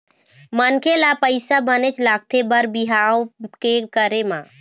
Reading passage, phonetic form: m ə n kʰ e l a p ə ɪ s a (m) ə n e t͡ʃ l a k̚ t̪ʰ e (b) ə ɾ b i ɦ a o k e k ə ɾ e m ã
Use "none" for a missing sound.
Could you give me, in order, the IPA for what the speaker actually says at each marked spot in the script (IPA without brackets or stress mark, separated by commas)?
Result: b, b